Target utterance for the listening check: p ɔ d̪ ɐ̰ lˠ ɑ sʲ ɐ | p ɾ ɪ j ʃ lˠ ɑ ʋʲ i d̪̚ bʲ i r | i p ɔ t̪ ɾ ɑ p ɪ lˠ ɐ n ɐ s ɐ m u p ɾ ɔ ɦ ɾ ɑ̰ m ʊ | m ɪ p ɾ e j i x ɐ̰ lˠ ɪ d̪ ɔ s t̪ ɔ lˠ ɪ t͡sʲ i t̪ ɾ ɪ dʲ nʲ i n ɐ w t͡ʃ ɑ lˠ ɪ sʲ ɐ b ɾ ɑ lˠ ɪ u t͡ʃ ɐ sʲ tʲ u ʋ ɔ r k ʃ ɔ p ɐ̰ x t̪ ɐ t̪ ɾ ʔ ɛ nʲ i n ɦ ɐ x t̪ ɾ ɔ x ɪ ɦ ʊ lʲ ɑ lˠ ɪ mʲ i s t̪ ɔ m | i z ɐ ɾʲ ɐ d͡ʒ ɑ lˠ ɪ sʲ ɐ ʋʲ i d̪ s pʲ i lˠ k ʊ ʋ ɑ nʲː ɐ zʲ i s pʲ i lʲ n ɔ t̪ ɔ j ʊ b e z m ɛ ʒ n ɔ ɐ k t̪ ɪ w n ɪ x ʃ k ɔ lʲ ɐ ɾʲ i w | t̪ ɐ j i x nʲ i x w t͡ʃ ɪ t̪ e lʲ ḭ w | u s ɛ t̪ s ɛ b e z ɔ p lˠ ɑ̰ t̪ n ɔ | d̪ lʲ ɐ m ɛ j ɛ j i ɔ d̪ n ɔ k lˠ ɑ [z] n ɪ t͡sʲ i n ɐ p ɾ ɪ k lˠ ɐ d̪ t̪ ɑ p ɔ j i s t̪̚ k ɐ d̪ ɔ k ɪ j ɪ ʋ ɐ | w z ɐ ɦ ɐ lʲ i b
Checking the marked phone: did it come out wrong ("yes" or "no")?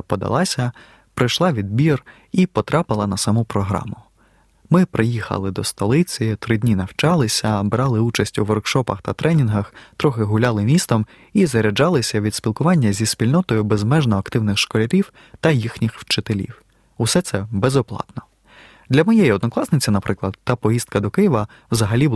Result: yes